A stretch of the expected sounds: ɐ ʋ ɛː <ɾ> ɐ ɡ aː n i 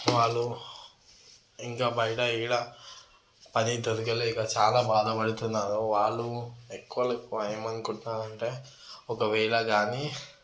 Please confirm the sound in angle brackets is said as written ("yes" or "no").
no